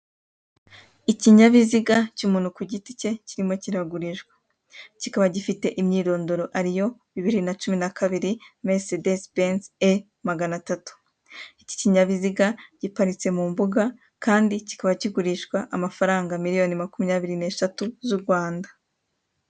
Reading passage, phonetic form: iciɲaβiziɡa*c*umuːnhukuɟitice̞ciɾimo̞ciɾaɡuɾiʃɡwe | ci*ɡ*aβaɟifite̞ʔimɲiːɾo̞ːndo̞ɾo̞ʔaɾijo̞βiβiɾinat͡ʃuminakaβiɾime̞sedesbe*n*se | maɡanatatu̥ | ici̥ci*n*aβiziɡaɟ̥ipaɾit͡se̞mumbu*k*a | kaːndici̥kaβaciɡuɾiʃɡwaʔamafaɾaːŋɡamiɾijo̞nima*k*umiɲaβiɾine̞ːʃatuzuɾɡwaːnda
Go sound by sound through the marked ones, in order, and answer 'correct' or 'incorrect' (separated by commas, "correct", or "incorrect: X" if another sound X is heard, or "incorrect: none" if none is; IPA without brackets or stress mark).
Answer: correct, incorrect: k, correct, incorrect: ɲ, incorrect: ɡ, correct